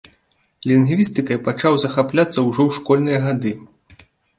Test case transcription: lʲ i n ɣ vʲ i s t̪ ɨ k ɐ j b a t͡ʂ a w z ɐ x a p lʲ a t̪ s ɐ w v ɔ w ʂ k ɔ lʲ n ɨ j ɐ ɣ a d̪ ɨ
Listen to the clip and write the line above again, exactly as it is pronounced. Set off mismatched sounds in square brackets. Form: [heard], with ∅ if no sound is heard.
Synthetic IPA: lʲ i n ɣ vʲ i s t̪ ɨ k ɐ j [p] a t͡ʂ a w z ɐ x a p lʲ a t̪ [sː] ɐ w [ʐ] ɔ w ʂ k ɔ lʲ n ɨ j ɐ ɣ a d̪ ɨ